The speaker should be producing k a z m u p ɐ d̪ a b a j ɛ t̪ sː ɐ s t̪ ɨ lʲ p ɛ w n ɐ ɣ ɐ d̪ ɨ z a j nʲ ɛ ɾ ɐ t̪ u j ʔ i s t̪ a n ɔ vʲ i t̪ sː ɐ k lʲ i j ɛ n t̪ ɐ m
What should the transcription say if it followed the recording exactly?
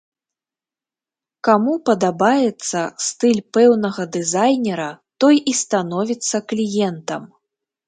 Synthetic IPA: k a m u p ɐ d̪ a b a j ɛ t̪ sː ɐ s t̪ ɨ lʲ p ɛ w n ɐ ɣ ɐ d̪ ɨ z a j nʲ ɛ ɾ ɐ t̪ ɔ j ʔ i s t̪ a n ɔ vʲ i t̪ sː ɐ k lʲ i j ɛ n t̪ ɐ m